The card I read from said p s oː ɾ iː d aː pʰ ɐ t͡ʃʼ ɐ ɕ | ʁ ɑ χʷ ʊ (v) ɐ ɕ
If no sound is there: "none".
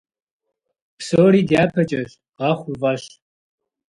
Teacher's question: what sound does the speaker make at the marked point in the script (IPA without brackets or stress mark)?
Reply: v